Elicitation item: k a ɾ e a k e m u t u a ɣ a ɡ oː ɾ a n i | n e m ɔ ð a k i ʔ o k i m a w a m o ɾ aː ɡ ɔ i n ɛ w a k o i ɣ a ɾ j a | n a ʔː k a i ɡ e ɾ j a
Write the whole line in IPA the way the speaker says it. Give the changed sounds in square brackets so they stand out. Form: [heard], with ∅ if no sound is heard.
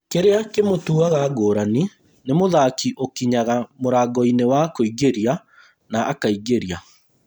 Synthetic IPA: k [e] ɾ e a k e m [o] t u a ɣ a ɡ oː ɾ a n i | n e m [o] ð a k i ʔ o k i [ɲ] a [ɣ] a m o ɾ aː ɡ ɔ i n [e] w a k o i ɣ [e] ɾ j a | n a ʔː k a i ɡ e ɾ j a